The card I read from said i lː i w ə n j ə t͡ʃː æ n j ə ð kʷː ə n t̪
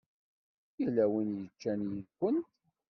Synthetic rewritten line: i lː æ w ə n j ə t͡ʃː æ n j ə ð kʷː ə n t̪